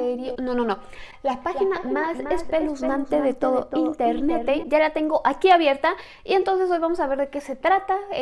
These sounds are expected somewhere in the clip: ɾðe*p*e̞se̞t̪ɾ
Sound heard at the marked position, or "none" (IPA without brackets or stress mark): k